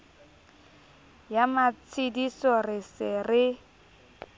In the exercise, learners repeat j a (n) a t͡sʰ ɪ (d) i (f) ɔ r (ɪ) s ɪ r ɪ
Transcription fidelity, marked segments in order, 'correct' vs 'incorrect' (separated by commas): incorrect, correct, incorrect, correct